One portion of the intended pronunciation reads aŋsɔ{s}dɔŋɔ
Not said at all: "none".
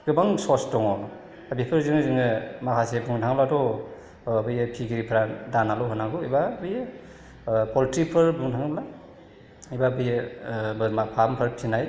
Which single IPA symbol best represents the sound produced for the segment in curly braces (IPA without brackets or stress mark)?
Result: s